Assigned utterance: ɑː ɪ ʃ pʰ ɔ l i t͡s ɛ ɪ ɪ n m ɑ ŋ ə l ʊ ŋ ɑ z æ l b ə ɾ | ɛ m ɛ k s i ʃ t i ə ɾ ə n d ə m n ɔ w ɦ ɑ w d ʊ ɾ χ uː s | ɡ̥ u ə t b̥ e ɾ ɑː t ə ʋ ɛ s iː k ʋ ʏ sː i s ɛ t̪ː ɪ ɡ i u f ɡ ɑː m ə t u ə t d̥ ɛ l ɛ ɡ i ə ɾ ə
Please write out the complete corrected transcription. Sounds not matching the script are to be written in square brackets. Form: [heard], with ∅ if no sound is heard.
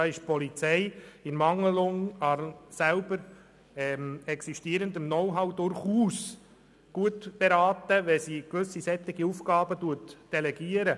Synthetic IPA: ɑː ɪ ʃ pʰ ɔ l i t͡s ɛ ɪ ɪ n m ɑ ŋ ə l ʊ ŋ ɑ [s] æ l b ə ɾ | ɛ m ɛ k s i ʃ t i ə ɾ ə n d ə m n ɔ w ɦ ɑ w d ʊ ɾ χ uː s | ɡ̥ u ə t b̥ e ɾ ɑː t ə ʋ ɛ s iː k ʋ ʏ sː i s ɛ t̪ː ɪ ɡ i u f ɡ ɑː [b] ə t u ə t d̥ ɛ l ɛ ɡ i ə ɾ ə